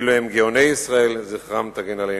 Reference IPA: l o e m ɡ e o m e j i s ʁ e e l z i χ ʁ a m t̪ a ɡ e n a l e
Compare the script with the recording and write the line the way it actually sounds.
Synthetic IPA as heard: l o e m ɡ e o n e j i s ʁ a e l z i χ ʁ a m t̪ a ɡ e n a l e

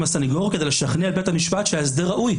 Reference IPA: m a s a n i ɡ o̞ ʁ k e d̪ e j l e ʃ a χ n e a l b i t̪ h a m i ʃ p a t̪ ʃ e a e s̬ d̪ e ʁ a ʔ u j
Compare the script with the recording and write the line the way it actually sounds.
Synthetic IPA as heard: m a s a n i ɡ o̞ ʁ k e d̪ e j l e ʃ a χ n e a l b e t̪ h a m i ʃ p a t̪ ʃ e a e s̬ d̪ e ʁ a ʔ u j

